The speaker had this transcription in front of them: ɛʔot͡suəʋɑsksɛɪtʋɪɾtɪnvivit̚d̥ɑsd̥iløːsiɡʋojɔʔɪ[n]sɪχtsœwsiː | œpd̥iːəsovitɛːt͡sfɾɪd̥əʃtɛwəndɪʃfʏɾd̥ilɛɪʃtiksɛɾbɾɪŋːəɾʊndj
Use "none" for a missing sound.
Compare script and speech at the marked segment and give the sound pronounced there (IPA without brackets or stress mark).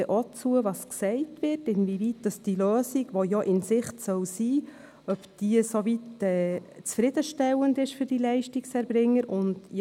n